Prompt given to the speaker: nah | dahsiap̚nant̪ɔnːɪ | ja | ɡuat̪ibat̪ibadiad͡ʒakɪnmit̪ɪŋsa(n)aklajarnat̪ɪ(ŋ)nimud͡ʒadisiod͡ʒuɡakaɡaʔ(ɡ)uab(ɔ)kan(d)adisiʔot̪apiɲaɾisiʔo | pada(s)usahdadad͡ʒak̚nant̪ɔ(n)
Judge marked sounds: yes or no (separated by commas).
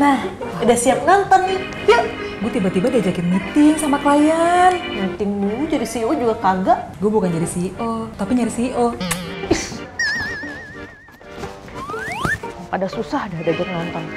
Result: no, yes, yes, no, no, yes, yes